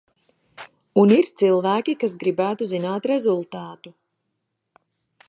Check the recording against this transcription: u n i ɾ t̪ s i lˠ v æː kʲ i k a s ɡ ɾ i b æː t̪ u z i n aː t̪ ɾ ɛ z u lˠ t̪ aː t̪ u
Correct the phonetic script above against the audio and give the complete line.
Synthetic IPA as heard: u n i ɾ t̪ s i lˠ v æː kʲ i k a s ɡ ɾ i b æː t̪ u z i n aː t̪ ɾ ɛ z u lˠ t̪ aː t̪ u